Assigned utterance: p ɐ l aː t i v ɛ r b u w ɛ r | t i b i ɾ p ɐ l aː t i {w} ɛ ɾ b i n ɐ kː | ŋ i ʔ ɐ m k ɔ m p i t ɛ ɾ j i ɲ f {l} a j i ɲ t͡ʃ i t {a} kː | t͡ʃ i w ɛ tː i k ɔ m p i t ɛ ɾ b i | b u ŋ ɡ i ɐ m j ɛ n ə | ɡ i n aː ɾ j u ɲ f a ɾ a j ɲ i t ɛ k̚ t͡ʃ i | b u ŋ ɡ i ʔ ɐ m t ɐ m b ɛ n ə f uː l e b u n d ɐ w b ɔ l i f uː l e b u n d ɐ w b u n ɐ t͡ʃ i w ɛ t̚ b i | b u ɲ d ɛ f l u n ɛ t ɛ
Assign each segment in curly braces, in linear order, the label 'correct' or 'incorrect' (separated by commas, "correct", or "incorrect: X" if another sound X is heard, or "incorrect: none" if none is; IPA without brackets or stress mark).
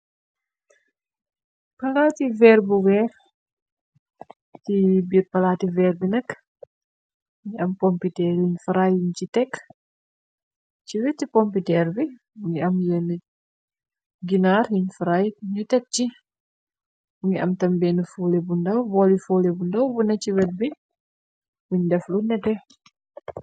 incorrect: v, incorrect: ɾ, incorrect: ɛ